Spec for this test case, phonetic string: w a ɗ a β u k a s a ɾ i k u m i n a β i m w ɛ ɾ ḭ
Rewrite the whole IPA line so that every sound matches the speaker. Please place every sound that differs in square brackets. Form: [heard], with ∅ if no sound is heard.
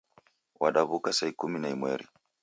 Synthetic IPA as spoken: w a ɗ a β u k a s a [∅] i k u m i n a [∅] i m w ɛ ɾ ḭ